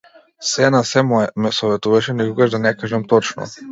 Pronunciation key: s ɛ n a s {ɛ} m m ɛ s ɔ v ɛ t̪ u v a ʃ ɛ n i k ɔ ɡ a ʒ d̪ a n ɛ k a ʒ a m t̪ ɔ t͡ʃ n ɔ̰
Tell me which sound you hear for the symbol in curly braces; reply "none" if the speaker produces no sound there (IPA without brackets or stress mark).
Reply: ɛ